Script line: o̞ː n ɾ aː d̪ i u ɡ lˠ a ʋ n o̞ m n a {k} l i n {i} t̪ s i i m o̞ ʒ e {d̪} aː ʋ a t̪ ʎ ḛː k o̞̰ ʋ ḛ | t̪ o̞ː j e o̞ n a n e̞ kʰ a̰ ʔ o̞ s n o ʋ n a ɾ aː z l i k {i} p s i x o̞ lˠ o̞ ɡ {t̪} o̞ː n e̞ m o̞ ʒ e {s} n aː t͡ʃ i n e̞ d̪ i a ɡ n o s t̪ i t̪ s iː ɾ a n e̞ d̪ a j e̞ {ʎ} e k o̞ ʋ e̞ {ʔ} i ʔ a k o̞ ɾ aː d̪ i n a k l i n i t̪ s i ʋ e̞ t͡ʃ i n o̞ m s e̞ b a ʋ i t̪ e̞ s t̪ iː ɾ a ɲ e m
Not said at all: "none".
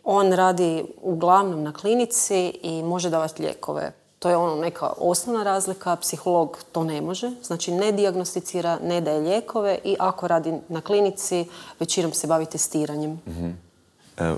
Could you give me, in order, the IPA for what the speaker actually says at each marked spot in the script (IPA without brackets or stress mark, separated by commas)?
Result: k, i, d̪, a, t̪, z, ʎ, ʔ